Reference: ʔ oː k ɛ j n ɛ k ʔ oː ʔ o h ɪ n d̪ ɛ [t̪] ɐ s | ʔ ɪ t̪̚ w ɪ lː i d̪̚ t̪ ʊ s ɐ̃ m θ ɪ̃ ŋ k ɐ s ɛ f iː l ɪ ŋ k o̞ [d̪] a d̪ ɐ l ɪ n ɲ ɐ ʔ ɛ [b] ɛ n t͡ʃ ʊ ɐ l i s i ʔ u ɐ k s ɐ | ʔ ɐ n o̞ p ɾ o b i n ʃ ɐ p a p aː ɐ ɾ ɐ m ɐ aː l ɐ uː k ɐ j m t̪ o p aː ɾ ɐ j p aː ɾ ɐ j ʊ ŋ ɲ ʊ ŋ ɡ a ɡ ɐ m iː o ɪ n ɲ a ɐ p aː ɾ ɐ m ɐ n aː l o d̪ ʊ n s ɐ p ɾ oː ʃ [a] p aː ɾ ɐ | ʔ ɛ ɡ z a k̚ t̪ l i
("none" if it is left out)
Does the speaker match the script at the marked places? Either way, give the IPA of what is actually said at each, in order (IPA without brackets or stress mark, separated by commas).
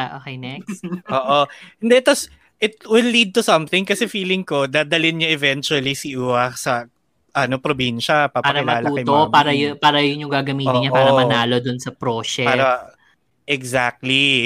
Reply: t̪, d̪, v, ɛ